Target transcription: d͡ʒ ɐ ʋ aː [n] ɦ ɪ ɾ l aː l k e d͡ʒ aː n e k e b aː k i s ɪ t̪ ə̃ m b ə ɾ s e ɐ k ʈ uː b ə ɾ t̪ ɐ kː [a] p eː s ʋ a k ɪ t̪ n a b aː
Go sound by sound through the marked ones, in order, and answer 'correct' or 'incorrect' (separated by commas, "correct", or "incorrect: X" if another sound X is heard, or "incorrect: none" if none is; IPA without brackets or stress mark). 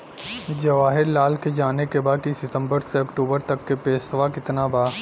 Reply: incorrect: none, incorrect: e